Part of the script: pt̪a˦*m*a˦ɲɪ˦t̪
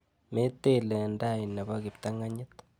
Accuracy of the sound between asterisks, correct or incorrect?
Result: incorrect